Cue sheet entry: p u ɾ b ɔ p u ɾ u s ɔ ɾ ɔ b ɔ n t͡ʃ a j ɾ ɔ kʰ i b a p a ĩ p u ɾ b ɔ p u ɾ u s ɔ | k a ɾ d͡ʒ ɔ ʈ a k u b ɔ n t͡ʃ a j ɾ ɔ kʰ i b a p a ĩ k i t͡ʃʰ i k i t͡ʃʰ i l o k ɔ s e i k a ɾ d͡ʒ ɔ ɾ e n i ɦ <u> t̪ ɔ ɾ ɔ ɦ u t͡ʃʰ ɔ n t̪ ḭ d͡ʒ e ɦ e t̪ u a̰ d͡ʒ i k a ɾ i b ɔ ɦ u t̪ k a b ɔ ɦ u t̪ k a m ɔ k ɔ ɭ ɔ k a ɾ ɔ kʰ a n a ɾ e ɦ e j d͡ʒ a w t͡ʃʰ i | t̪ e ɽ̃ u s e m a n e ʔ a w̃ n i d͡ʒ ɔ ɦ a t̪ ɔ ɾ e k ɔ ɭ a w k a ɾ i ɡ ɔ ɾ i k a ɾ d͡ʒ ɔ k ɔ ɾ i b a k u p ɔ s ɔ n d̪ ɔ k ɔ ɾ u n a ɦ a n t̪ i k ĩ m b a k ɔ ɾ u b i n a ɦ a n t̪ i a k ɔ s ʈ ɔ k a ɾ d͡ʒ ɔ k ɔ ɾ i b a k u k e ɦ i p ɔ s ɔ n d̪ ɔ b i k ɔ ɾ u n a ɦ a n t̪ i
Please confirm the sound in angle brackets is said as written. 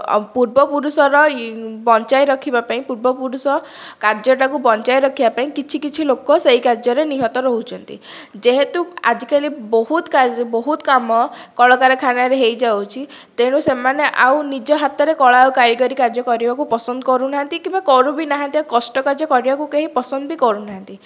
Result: no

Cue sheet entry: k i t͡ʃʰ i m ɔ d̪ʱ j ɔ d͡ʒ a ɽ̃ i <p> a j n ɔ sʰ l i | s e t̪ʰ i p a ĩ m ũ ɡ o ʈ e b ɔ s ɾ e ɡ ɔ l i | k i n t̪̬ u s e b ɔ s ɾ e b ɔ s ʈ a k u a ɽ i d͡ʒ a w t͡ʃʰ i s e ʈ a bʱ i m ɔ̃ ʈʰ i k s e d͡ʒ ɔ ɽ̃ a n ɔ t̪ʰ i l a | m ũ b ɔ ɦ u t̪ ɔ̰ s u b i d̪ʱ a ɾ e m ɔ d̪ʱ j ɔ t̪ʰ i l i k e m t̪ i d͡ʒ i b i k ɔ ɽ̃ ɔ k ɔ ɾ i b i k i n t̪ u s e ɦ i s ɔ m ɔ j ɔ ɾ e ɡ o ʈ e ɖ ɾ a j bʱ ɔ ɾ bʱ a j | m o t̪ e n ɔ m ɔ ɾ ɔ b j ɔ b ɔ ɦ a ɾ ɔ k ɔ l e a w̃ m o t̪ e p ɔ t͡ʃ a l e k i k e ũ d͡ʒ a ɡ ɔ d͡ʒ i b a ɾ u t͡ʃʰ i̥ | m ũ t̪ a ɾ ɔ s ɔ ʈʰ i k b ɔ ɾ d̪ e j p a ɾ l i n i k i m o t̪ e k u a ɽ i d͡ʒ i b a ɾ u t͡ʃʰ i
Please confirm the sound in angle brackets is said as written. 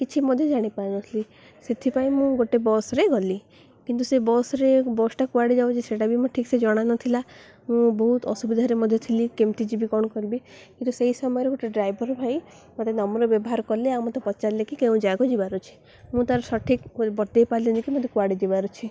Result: yes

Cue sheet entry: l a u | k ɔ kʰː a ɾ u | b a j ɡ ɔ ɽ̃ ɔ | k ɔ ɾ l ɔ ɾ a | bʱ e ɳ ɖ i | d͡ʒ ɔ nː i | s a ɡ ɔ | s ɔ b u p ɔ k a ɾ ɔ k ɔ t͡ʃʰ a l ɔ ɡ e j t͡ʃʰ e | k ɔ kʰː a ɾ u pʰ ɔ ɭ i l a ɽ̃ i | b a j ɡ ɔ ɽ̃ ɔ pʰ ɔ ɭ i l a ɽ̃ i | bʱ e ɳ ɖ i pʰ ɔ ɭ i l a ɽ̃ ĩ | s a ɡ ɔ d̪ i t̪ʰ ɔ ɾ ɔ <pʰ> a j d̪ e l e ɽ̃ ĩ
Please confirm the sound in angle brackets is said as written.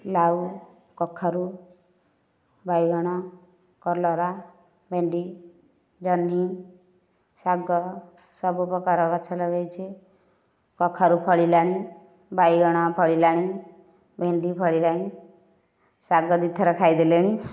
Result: no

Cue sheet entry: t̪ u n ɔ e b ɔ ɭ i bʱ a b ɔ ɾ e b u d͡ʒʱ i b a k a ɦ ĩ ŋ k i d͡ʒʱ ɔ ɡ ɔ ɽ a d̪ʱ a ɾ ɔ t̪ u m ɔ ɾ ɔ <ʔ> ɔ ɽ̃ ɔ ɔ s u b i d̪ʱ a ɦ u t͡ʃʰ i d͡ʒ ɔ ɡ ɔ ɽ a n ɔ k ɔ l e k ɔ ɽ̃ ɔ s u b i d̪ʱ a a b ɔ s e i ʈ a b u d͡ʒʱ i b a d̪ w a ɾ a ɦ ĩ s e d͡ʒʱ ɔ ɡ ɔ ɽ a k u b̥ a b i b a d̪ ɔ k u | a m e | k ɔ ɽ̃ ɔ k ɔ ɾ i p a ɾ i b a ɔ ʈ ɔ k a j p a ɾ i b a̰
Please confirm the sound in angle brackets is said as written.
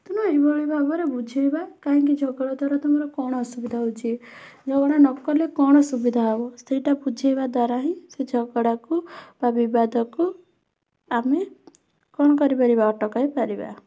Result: no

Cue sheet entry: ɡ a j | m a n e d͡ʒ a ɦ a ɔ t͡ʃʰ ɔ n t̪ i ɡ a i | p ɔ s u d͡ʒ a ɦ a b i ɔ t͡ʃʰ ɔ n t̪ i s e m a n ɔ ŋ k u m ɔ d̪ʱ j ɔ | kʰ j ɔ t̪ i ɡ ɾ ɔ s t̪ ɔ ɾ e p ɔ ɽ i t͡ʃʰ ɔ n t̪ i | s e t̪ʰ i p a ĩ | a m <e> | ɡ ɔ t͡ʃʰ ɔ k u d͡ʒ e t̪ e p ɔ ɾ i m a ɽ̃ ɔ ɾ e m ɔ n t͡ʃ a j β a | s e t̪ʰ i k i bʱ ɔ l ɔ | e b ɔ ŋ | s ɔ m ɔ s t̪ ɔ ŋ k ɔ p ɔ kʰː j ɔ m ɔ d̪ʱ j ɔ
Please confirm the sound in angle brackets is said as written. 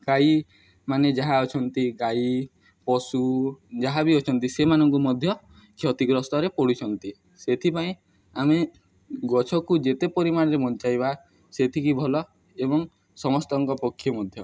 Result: yes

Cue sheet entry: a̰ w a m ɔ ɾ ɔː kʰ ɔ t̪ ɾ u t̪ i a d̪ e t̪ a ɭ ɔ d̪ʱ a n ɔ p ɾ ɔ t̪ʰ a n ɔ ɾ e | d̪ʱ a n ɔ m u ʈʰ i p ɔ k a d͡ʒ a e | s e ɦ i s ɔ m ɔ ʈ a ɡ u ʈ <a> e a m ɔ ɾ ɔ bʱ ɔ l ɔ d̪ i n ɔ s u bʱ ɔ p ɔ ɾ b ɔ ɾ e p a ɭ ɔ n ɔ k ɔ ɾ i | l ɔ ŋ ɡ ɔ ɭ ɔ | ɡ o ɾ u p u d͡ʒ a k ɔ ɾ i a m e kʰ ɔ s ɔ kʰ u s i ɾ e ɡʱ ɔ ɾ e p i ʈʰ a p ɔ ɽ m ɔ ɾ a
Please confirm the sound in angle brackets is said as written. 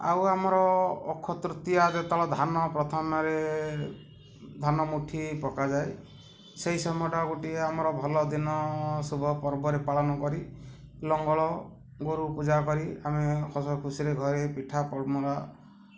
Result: no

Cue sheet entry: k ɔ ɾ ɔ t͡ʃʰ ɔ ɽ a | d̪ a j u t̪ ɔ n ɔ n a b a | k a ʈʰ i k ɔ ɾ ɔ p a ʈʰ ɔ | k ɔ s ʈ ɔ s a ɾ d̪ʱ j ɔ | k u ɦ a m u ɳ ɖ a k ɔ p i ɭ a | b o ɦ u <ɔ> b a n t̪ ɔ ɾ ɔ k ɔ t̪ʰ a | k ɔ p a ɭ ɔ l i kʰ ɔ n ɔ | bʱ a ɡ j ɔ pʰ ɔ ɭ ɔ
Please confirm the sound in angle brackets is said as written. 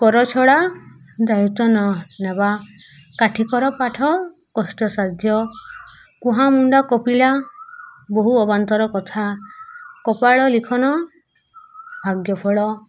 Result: yes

